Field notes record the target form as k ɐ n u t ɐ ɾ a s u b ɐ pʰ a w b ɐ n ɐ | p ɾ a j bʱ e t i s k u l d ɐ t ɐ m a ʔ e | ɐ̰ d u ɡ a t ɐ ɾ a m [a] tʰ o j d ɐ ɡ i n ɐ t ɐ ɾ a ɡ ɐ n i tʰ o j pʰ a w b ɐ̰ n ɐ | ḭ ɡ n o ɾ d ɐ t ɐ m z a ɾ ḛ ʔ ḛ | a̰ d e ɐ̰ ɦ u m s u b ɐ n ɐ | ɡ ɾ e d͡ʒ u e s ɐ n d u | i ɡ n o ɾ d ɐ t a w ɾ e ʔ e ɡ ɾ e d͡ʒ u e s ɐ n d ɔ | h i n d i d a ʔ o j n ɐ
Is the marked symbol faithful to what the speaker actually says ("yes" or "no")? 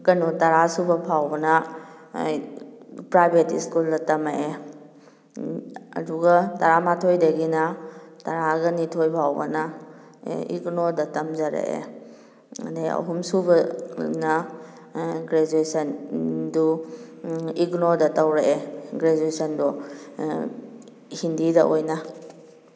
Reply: yes